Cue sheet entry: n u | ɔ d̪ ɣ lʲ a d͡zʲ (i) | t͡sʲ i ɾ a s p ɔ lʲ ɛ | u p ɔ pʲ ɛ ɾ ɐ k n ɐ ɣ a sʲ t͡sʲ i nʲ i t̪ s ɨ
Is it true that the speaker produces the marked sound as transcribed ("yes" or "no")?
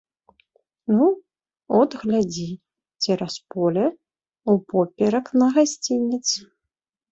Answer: yes